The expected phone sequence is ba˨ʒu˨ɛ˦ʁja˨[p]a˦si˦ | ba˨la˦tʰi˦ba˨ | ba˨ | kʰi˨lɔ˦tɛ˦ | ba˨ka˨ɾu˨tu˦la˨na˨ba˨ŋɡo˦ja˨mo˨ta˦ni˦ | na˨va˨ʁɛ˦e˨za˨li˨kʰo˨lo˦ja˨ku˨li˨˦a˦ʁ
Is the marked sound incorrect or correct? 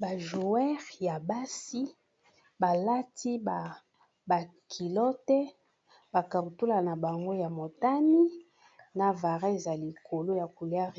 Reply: incorrect